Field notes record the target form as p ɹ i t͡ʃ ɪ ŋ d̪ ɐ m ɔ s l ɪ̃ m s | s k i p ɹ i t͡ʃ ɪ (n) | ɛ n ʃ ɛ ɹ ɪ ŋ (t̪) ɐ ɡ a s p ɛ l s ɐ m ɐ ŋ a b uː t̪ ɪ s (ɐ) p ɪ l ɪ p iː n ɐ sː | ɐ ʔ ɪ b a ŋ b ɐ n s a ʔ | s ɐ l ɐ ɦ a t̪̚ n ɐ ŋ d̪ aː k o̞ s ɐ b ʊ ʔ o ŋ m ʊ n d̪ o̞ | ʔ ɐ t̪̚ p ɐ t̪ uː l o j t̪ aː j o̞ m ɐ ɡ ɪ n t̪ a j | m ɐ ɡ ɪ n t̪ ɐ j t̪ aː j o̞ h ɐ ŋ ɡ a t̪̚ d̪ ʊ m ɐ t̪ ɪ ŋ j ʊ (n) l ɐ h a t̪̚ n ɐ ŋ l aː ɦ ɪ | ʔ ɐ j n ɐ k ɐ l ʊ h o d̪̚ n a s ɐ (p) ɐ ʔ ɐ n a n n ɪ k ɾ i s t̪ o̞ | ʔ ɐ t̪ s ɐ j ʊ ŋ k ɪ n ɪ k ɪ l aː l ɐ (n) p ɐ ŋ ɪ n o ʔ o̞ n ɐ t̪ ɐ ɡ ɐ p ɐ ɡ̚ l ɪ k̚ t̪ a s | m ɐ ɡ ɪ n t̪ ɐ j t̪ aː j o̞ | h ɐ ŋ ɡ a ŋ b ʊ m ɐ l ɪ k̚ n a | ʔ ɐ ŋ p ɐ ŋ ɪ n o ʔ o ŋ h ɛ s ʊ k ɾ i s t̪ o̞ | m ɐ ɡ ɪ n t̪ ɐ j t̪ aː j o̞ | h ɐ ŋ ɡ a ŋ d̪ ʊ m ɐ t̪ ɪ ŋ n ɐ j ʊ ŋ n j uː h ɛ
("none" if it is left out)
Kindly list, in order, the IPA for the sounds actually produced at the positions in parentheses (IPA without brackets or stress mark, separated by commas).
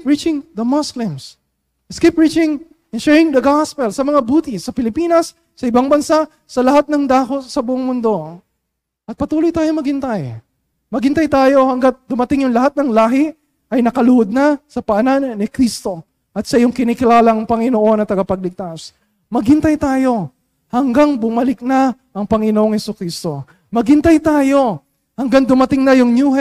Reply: ŋ, d̪, ɐ, ŋ, p, ŋ